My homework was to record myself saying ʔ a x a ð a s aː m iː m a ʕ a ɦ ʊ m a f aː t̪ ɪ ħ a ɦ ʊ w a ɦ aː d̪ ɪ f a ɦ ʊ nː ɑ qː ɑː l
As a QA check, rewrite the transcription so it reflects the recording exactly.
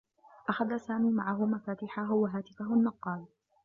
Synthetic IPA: ʔ a x a ð a s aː m iː m a ʕ a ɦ ʊ m a f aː t̪ ɪ ħ a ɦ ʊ w a ɦ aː t̪ ɪ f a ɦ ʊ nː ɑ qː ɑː l